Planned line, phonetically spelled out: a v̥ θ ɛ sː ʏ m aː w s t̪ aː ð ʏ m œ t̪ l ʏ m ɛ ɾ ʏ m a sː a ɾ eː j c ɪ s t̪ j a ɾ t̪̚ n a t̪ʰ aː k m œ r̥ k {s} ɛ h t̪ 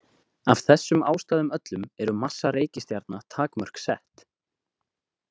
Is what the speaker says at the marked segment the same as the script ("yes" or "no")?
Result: yes